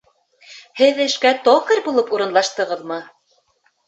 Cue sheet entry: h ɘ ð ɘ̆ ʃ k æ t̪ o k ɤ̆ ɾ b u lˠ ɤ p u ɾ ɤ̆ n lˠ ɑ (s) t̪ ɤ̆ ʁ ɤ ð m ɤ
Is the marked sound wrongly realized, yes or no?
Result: yes